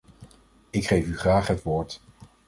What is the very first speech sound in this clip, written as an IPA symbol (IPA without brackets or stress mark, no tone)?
ɪ